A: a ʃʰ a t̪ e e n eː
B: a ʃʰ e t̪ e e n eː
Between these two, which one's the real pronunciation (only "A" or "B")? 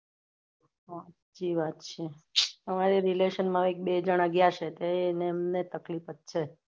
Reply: B